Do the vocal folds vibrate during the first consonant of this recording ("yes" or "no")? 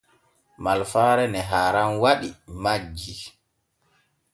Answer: yes